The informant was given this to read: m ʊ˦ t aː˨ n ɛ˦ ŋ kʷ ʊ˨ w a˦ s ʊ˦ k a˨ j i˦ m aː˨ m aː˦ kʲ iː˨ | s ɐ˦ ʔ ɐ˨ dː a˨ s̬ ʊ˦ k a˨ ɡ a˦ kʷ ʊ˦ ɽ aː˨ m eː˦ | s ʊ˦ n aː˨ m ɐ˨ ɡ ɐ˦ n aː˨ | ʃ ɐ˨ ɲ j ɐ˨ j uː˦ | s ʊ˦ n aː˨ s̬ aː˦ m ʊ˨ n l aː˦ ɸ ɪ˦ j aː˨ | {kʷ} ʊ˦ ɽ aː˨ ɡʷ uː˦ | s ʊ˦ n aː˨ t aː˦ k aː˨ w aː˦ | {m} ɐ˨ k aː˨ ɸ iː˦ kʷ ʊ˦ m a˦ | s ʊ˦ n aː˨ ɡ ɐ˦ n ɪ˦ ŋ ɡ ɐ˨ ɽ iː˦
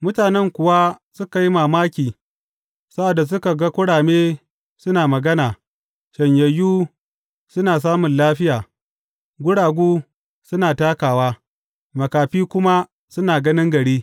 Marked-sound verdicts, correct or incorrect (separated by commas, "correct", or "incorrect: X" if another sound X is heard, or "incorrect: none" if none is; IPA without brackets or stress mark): incorrect: ɡʷ, correct